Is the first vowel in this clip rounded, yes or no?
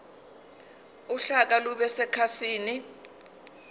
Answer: yes